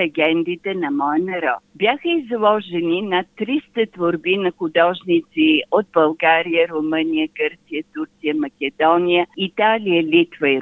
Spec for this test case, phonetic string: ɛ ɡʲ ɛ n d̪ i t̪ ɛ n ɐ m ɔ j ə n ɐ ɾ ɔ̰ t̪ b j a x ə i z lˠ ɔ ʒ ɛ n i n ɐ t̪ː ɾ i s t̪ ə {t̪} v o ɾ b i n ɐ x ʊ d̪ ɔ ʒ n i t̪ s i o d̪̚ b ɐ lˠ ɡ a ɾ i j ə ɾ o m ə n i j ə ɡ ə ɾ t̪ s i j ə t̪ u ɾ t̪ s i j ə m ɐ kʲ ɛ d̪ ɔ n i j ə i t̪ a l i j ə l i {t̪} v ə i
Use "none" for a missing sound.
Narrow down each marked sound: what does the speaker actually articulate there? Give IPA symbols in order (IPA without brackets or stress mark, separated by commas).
t̪, t̪